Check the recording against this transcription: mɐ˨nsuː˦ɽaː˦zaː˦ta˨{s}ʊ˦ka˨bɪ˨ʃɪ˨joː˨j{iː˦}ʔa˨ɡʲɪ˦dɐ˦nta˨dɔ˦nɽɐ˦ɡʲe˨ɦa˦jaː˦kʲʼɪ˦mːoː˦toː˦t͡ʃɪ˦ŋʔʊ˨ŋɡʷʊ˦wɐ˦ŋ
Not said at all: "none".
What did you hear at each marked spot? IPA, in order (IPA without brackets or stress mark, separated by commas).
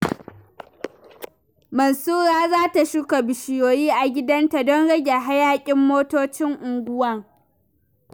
ʃ, iː˦